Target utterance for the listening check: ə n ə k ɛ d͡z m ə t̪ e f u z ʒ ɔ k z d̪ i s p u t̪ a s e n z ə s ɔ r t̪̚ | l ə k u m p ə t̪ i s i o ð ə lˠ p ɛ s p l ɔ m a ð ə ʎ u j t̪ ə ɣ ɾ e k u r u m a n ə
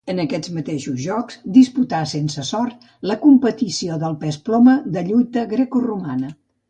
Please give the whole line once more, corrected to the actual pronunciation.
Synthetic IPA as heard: ə n ə k ɛ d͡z m ə t̪ e ʃ u z ʒ ɔ k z d̪ i s p u t̪ a s e n s ə s ɔ r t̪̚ | l ə k u m p ə t̪ i s i o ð ə lˠ p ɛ s p l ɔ m ə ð ə ʎ u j t̪ ə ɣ ɾ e k u r u m a n ə